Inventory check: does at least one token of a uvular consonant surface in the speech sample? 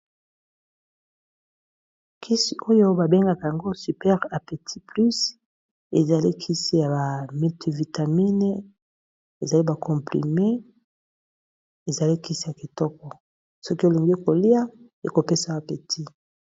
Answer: yes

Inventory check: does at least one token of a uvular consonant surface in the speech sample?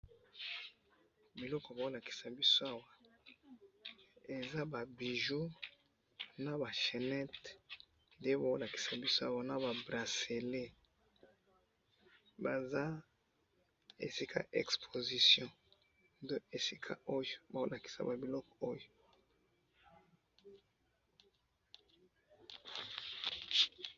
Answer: yes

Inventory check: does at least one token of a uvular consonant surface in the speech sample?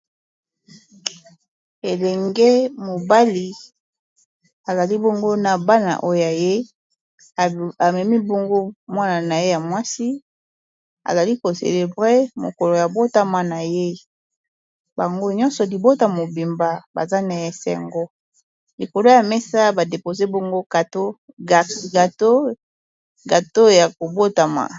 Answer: yes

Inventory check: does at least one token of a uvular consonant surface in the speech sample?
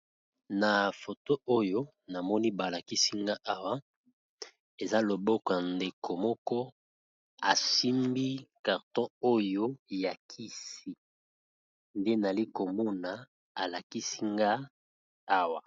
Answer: yes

